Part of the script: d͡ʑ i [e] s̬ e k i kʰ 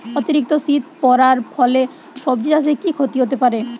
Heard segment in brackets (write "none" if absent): a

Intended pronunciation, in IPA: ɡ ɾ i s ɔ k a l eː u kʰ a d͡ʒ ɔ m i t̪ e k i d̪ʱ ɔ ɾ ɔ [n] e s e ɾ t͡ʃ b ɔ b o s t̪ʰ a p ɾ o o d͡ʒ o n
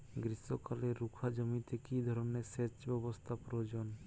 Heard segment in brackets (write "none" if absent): n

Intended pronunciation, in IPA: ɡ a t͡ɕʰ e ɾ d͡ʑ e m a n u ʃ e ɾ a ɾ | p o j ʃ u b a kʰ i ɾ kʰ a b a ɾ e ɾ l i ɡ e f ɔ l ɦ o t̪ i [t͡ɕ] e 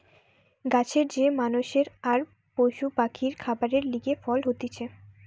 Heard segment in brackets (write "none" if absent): t͡ɕʰ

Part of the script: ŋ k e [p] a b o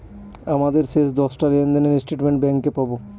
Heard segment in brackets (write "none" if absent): p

